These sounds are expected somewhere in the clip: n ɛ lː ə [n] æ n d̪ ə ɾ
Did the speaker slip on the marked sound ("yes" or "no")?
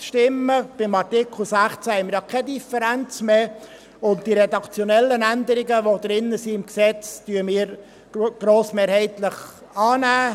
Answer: no